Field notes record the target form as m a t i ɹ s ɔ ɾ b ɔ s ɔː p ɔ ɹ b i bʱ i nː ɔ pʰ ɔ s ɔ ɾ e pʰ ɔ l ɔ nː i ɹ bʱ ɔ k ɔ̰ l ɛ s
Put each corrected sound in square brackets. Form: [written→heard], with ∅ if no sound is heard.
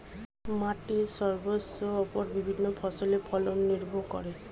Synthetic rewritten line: m a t i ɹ s ɔ [ɾ→ɹ] b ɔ s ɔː p ɔ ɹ b i bʱ i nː ɔ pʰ ɔ s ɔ [ɾ→l] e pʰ ɔ l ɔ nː i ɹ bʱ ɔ k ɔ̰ [l→ɹ] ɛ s